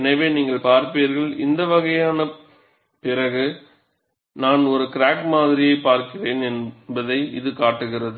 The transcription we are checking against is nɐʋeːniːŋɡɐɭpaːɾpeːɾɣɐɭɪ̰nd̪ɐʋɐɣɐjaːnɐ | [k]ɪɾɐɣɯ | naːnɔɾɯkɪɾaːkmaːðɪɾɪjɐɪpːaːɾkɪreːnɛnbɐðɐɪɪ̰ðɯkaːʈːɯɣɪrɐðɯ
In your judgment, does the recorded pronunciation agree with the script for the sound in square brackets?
no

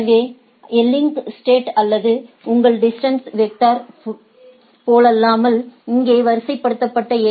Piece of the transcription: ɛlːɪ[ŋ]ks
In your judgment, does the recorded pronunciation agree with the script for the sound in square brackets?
yes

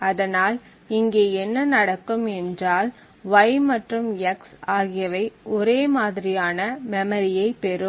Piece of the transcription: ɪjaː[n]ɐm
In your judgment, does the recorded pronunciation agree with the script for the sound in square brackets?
yes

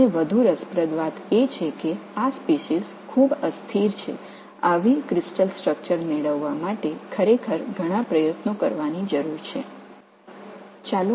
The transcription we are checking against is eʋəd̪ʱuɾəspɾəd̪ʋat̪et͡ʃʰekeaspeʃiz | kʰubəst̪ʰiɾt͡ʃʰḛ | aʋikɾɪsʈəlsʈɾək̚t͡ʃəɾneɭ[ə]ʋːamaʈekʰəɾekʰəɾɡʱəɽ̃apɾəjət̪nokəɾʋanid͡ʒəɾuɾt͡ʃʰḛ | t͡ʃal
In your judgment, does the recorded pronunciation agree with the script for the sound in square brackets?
yes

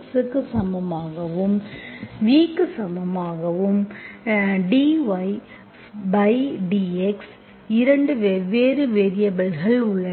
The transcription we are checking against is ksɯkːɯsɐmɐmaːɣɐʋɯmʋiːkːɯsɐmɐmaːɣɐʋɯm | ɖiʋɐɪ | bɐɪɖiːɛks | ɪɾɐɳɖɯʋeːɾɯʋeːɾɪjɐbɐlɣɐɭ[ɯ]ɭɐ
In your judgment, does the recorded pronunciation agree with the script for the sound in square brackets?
no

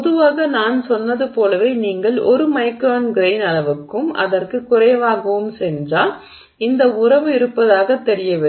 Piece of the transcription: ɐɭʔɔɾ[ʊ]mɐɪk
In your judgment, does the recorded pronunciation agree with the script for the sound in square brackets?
no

